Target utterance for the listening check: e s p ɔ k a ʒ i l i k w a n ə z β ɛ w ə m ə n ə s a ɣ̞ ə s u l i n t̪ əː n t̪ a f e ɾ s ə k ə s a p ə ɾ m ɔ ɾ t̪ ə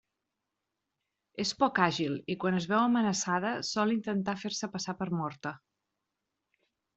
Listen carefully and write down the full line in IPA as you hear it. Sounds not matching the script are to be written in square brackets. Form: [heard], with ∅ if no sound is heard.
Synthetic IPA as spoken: e s p ɔ k a ʒ i l i k w a n ə z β ɛ w ə m ə n ə s a [ð̞] ə s [ɔ] l i n t̪ [ə] n t̪ a f e ɾ s ə [p] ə s a p ə ɾ m ɔ ɾ t̪ ə